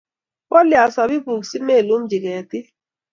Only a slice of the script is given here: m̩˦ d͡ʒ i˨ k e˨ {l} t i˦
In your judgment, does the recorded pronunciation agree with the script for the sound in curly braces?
no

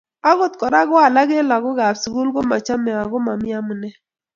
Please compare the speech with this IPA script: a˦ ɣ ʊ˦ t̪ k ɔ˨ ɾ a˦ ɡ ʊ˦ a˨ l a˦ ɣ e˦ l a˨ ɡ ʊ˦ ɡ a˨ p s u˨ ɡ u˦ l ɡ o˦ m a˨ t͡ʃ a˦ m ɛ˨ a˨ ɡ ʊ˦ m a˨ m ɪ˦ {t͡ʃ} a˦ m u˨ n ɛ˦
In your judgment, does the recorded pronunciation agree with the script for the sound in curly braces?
no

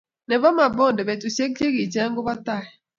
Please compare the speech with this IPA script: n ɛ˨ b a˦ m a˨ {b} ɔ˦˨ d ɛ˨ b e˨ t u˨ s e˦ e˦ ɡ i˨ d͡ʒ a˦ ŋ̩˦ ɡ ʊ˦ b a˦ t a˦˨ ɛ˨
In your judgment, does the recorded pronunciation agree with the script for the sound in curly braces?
yes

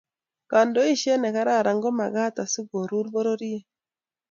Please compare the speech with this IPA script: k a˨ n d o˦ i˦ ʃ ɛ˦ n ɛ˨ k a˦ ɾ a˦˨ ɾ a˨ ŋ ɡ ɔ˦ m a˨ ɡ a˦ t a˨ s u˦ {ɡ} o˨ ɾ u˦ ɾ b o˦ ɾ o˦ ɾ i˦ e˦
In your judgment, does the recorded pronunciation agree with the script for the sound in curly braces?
yes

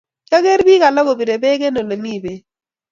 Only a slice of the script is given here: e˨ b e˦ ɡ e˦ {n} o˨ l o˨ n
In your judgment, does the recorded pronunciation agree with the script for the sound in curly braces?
yes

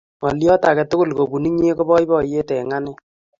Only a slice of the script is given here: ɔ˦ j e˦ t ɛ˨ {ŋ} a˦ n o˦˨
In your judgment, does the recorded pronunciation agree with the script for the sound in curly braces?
yes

